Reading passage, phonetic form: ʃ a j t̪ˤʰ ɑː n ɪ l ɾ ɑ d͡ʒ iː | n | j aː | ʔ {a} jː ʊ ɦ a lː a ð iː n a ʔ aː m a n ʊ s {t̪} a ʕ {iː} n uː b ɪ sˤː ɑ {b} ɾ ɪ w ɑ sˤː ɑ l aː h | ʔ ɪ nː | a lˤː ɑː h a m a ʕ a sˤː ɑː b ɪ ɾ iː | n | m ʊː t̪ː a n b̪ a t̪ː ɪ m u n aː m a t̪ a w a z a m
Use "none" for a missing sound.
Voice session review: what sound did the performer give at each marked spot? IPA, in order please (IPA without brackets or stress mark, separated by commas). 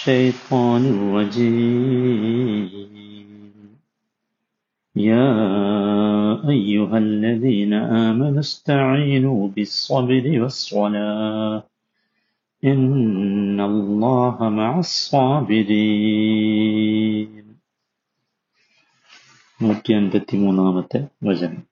a, t̪, iː, b